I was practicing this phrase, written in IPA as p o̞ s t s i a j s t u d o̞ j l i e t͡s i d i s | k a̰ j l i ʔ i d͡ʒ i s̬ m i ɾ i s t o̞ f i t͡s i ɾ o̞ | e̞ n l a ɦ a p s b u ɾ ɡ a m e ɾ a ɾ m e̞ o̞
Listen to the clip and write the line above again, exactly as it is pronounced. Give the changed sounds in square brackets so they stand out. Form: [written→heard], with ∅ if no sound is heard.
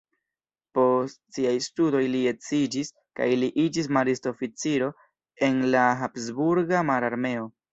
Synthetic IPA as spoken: p o̞ s t s i a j s t u d o̞ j l i e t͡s i [d→d͡ʒ] i s | k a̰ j l i ʔ i d͡ʒ i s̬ m [i→a] ɾ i s t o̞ f i t͡s i ɾ o̞ | e̞ n l a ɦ a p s b u ɾ ɡ a m [e→a] ɾ a ɾ m e̞ o̞